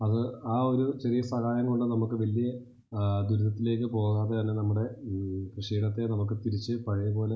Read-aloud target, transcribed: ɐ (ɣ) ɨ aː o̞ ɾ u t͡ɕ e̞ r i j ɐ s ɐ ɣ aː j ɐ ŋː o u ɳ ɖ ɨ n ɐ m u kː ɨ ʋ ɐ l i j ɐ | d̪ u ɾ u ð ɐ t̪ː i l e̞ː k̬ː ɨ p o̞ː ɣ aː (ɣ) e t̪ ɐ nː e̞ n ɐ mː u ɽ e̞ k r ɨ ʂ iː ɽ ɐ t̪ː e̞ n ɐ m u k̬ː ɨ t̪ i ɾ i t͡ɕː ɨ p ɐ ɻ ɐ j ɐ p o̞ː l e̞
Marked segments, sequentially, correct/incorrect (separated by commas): incorrect, incorrect